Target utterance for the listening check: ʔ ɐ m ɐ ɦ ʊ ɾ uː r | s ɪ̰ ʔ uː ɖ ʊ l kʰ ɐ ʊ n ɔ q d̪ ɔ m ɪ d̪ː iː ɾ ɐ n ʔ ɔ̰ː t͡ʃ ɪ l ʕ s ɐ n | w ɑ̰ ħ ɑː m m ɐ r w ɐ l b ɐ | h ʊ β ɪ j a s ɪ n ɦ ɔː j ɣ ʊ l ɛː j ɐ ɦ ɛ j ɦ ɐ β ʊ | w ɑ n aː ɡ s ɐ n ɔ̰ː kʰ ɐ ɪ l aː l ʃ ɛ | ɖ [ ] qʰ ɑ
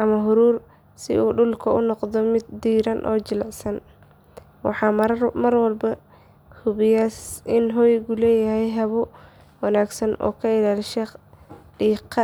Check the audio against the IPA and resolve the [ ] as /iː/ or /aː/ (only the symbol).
iː